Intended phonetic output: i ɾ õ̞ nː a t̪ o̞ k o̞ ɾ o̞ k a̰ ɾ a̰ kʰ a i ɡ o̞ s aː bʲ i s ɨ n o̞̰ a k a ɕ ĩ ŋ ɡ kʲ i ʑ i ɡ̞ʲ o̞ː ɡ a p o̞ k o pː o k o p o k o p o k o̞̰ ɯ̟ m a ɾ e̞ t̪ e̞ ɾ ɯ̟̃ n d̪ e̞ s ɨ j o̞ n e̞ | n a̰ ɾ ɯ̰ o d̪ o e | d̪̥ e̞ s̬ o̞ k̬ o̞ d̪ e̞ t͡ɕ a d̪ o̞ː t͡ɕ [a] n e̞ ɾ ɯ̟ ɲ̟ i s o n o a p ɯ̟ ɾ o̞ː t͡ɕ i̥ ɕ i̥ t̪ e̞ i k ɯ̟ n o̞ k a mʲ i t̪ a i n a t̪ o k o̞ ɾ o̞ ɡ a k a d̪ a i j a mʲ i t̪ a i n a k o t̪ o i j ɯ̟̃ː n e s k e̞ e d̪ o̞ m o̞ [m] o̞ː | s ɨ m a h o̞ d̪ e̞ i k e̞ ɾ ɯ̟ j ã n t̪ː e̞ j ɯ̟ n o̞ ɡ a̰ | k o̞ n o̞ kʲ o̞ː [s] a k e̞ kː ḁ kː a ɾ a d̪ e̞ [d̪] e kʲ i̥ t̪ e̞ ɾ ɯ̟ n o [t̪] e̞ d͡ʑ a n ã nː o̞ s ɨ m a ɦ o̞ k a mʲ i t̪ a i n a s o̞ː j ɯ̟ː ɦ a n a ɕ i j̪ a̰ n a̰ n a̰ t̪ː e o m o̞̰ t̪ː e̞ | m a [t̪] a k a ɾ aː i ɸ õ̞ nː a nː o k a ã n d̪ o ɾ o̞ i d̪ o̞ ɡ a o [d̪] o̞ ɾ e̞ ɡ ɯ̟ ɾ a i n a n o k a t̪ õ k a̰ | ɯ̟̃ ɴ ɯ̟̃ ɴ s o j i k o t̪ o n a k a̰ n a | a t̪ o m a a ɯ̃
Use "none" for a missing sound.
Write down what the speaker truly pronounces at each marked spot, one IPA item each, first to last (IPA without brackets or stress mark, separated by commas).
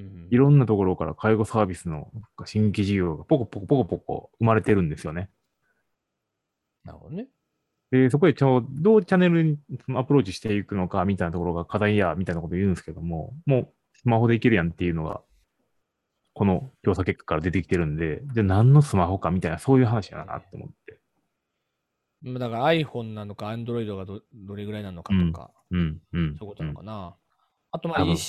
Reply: a, m, s, t̪, d̪, d̪, d̪